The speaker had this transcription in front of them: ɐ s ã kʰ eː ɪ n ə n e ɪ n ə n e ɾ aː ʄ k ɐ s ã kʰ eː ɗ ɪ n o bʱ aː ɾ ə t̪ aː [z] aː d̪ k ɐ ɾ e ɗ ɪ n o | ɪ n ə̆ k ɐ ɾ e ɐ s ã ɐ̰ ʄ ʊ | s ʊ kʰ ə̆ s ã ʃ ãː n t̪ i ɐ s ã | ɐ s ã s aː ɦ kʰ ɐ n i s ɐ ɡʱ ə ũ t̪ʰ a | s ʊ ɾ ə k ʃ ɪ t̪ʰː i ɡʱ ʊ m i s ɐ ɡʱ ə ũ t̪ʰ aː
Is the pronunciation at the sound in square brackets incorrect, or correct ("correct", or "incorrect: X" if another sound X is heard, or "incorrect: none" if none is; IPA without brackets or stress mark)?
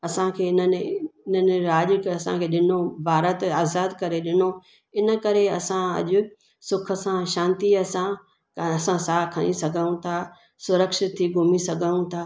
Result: correct